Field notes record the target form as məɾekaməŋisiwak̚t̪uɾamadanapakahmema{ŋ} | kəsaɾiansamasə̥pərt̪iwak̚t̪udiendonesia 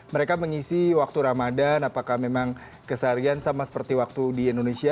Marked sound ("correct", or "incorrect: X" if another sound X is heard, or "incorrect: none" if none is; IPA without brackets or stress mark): correct